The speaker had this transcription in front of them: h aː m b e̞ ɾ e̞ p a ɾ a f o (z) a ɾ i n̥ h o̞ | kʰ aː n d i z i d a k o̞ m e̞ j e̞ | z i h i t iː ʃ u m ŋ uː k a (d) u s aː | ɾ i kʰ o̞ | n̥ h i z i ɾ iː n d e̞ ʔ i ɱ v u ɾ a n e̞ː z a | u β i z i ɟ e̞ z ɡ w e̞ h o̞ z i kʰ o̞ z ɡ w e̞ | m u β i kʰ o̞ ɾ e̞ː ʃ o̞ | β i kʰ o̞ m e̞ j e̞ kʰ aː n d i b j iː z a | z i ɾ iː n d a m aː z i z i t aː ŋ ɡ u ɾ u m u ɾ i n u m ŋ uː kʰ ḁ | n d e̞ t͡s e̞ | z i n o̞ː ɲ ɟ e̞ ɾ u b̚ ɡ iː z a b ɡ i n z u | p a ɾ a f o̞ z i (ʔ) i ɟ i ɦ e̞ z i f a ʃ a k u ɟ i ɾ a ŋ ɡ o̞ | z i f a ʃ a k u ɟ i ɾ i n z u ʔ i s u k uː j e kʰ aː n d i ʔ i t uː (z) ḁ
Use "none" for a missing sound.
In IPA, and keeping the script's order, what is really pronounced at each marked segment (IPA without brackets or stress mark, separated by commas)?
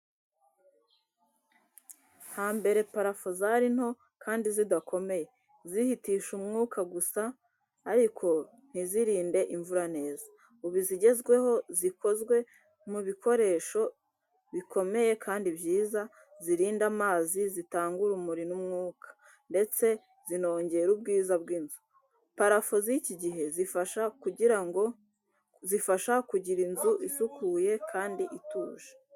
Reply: z, ɡ, c, ʒ